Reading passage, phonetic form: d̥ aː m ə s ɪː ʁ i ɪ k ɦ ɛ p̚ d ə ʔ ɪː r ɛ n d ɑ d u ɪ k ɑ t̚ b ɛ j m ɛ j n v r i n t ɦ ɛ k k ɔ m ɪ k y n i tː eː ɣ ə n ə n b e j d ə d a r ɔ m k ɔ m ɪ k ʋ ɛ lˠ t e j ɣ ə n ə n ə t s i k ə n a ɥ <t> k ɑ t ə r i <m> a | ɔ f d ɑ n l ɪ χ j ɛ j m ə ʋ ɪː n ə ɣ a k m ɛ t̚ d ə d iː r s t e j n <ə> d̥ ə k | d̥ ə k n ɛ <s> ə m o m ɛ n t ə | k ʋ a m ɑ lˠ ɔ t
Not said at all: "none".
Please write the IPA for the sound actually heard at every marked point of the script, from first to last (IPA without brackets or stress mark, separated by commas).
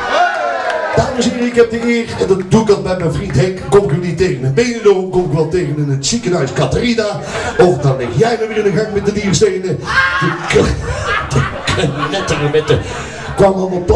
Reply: s, n, ə, t